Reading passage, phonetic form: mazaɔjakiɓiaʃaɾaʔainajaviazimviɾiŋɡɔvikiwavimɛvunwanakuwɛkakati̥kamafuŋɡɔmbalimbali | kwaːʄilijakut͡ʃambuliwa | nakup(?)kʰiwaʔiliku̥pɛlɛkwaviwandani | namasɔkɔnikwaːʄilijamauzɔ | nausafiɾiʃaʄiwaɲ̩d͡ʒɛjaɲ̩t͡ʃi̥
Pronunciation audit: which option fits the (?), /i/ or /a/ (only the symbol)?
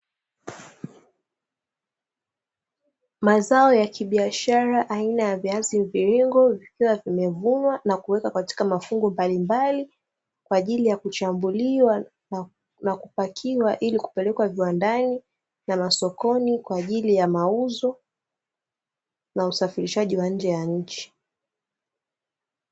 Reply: a